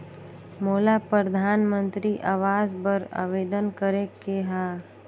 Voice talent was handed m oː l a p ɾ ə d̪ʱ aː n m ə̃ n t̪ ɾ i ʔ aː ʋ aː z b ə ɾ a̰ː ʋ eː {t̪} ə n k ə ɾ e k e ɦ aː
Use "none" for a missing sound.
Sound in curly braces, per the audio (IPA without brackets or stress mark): d̪